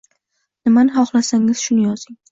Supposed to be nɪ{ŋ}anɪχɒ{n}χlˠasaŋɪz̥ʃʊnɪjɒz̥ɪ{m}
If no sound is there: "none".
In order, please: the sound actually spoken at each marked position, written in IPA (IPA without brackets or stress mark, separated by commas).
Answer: m, none, ŋ